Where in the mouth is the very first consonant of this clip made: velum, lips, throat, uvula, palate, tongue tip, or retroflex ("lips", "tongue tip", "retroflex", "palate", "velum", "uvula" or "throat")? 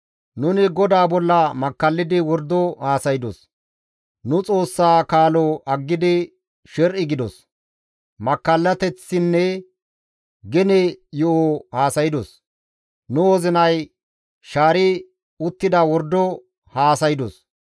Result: tongue tip